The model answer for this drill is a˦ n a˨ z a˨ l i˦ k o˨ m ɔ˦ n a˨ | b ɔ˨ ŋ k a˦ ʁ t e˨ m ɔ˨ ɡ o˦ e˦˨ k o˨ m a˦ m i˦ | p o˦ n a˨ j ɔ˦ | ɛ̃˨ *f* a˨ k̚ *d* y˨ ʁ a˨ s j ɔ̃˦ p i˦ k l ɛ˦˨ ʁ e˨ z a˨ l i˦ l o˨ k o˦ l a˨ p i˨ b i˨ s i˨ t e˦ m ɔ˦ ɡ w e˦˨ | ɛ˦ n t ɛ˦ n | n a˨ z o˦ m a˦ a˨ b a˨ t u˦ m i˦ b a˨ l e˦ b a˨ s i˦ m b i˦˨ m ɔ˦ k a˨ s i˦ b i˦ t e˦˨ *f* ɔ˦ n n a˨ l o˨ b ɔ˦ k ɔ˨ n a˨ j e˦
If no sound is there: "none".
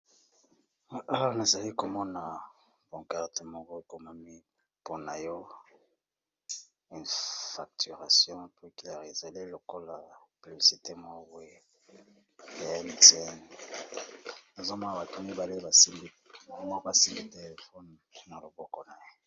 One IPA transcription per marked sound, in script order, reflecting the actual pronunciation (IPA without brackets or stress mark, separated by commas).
f, t, f